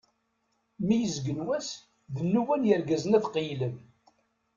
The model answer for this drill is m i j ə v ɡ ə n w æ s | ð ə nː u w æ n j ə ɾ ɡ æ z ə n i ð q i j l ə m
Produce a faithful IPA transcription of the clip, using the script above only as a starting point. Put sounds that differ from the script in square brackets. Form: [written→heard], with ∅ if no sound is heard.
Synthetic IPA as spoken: m i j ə [v→z] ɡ ə n w æ s | ð ə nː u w æ n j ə ɾ ɡ æ z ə n [i→æ] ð q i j l ə m